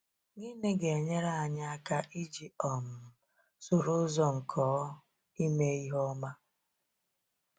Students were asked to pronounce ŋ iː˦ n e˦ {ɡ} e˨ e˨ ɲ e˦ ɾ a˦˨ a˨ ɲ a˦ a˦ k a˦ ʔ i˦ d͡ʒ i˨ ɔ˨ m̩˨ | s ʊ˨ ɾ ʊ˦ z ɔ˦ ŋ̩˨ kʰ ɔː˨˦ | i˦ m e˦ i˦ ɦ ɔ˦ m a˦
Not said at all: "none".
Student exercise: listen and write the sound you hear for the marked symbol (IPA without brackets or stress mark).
ɡ